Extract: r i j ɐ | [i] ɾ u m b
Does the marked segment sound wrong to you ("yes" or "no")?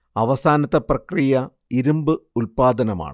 no